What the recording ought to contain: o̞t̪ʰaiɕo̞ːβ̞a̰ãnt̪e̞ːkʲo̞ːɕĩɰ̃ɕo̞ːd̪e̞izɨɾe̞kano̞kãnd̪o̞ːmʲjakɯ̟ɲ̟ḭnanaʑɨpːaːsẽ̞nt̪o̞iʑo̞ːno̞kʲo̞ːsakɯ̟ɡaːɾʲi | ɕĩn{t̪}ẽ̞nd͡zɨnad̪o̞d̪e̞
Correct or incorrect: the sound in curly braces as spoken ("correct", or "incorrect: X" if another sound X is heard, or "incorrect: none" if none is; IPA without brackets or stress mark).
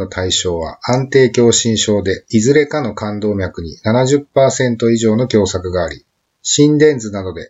incorrect: d̪